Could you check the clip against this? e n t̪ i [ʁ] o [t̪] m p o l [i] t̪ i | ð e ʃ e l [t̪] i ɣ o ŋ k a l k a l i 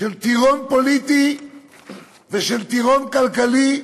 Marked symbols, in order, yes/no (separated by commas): no, no, yes, yes